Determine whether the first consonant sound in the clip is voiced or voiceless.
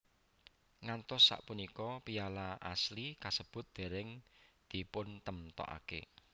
voiced